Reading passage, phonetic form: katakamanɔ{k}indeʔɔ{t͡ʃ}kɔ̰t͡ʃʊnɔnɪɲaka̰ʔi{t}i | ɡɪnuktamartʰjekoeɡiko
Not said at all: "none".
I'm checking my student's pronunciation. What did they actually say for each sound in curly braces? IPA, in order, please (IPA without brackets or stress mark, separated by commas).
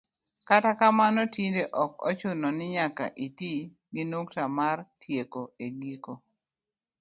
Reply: t, none, t